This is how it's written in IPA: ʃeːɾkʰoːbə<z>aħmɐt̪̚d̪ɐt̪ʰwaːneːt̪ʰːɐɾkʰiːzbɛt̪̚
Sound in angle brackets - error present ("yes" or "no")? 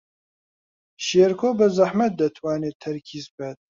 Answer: no